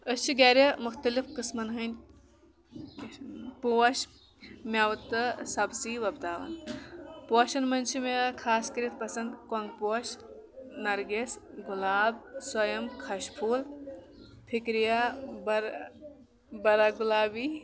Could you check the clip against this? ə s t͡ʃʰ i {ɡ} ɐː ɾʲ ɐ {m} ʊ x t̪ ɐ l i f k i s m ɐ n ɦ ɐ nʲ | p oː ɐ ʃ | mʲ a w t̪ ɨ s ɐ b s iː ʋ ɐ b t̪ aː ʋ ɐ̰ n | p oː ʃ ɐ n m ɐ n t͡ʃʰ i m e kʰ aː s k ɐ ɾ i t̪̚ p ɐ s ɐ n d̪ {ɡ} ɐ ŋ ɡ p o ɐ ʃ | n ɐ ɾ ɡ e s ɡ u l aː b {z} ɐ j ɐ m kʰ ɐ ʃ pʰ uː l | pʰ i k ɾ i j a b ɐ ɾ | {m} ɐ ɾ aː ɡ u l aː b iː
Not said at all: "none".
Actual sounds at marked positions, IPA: ɡ, m, k, s, b

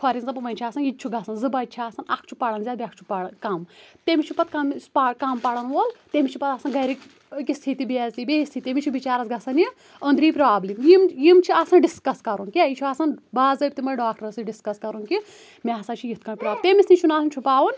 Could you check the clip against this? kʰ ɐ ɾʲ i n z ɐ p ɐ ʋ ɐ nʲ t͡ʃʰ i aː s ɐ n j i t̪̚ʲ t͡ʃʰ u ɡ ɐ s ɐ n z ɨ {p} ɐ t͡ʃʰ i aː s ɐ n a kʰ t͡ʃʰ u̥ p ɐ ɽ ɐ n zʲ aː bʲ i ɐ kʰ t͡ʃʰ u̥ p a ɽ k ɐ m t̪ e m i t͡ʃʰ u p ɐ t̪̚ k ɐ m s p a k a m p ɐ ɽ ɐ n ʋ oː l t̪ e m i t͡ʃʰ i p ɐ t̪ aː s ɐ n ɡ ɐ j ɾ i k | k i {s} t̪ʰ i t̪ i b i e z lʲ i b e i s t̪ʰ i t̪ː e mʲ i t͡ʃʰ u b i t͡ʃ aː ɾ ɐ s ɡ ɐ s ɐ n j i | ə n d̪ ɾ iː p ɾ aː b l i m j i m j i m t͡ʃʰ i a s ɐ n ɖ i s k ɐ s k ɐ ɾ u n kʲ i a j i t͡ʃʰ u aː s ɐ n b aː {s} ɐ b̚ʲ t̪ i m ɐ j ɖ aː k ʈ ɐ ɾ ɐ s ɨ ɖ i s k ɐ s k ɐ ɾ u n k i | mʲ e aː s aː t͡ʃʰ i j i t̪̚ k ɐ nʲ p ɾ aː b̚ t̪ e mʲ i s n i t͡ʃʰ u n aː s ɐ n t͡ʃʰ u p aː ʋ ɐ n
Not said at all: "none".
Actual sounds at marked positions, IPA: b, s, z

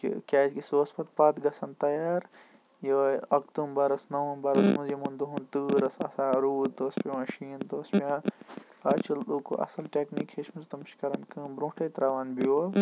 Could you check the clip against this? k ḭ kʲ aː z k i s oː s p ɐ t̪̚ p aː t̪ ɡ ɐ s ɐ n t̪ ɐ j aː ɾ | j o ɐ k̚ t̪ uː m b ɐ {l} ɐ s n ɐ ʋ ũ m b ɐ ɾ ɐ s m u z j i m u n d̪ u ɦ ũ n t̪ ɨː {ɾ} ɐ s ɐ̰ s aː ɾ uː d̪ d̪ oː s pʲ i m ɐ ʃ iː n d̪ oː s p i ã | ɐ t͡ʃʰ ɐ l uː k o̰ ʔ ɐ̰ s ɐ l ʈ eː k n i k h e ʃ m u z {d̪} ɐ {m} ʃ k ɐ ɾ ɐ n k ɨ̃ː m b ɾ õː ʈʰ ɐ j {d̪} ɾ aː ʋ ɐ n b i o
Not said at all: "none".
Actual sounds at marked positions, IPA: ɾ, ɾ, t̪, m, t̪

